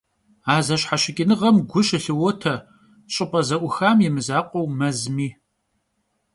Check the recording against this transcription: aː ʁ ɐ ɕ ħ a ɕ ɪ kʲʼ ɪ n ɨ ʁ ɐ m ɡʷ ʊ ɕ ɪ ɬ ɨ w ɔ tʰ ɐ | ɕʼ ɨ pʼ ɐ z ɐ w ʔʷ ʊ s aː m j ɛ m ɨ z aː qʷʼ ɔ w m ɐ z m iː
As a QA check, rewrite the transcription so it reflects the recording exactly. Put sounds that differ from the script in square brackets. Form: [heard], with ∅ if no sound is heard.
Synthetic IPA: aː [z] ɐ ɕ ħ a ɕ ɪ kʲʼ ɪ n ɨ ʁ ɐ m ɡʷ ʊ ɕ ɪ ɬ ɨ w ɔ tʰ ɐ | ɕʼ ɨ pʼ ɐ z ɐ [∅] ʔʷ ʊ [x] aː m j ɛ m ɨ z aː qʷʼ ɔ w m ɐ z m iː